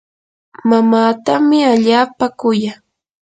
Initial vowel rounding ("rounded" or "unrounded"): unrounded